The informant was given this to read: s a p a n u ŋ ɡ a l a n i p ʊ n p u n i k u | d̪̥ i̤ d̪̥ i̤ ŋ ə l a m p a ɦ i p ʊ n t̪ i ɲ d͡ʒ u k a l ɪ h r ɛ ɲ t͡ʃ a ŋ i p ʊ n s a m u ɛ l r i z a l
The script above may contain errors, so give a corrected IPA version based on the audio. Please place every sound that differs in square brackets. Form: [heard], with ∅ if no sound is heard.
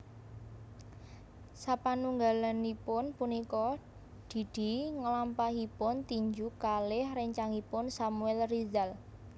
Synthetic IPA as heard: s a p a n u ŋ ɡ a l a n i p ʊ n p u n i k [ɔ] | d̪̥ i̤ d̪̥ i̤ ŋ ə l a m p a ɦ i p ʊ n t̪ i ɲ d͡ʒ u k a l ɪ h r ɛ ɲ t͡ʃ a ŋ i p ʊ n s a m u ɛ l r i z a l